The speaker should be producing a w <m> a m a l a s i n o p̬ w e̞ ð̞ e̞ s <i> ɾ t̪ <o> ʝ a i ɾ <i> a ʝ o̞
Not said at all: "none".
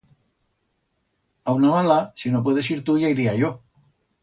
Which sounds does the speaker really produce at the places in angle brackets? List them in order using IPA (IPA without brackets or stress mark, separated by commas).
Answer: n, i, u, i